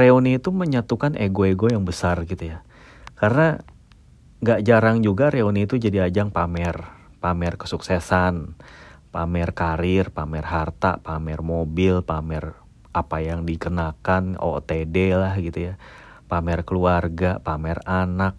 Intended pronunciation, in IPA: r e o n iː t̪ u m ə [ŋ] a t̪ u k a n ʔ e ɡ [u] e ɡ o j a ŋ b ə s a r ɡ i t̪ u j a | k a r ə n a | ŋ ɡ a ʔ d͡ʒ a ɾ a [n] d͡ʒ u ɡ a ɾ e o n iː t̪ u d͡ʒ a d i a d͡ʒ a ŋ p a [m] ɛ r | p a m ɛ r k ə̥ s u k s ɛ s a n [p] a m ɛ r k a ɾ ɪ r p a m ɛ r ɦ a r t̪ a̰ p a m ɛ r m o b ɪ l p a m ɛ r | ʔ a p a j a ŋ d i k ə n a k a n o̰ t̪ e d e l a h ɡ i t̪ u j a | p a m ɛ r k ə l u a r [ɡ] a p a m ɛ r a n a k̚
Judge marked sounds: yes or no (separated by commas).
no, no, no, yes, yes, yes